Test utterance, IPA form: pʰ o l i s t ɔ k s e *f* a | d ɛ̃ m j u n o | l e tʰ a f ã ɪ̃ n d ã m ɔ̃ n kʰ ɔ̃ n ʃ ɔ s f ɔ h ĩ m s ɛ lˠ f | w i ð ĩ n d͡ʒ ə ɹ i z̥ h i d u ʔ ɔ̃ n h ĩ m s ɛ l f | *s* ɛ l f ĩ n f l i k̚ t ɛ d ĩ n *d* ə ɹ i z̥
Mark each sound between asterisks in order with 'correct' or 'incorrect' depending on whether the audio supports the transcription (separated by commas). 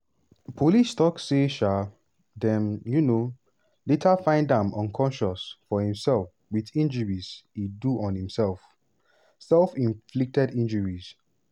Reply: incorrect, correct, incorrect